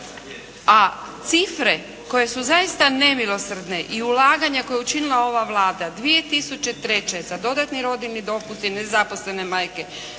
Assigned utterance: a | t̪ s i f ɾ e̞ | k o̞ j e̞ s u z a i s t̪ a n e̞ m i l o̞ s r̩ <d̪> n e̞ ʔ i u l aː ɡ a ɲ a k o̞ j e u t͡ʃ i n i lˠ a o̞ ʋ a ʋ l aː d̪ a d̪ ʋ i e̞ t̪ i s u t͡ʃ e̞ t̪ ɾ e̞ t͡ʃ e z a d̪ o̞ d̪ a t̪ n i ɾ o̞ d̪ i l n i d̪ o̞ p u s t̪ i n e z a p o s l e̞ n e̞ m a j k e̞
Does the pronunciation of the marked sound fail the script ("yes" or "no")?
no